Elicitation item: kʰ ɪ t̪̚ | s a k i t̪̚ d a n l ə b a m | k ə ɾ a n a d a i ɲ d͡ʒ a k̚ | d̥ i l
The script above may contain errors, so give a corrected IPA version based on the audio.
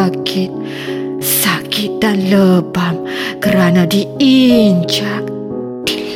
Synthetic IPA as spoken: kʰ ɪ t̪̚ | s a k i t̪̚ d a n l ə b a m | k ə ɾ a n a d i i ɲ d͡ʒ a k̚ | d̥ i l